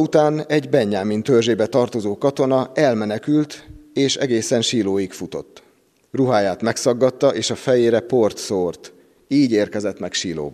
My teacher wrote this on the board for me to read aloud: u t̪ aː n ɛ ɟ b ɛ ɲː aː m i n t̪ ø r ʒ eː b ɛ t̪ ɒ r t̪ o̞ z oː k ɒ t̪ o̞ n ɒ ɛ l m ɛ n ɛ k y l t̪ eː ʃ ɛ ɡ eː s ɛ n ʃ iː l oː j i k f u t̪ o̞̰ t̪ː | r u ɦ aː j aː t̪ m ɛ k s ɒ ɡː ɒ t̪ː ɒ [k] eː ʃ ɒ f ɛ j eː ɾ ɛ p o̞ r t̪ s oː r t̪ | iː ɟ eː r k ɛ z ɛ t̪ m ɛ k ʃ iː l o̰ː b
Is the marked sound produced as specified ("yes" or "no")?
no